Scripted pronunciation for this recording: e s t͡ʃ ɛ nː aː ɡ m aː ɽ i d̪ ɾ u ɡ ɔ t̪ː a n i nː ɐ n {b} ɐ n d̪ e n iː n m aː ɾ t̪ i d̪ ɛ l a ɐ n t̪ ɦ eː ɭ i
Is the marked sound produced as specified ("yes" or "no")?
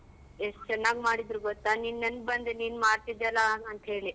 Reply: yes